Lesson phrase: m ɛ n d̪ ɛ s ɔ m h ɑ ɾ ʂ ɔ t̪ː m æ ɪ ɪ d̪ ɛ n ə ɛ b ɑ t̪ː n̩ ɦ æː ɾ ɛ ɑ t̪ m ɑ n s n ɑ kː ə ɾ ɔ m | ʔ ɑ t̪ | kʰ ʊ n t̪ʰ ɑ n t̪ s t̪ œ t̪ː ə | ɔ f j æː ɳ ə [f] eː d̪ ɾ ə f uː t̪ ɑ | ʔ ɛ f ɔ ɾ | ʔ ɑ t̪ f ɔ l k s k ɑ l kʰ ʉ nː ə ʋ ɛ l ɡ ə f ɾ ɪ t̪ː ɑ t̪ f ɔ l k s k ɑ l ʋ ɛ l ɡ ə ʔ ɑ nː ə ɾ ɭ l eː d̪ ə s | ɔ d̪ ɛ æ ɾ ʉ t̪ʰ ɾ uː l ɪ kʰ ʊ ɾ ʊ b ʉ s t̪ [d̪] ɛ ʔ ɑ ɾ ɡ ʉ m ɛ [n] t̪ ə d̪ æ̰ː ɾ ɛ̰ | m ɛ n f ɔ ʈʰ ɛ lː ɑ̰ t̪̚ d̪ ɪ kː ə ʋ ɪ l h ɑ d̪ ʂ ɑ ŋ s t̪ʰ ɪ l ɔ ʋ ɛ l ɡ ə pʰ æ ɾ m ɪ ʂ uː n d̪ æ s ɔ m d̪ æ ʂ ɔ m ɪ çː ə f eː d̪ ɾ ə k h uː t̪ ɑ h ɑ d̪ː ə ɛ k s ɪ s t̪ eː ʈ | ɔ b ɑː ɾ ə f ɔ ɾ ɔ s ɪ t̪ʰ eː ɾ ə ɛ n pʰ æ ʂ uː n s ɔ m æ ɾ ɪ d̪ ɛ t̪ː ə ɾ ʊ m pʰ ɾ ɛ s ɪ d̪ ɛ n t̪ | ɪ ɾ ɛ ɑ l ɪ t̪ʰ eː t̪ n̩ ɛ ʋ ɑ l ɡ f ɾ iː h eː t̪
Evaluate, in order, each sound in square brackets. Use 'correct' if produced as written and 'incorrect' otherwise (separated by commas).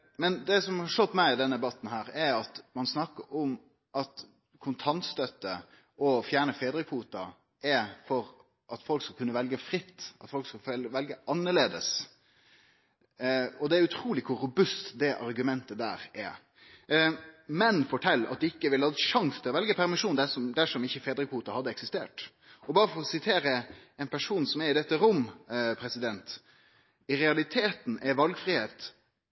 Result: correct, correct, correct